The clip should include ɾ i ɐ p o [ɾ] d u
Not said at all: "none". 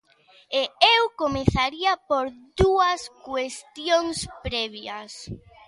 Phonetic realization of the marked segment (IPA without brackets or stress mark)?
ɾ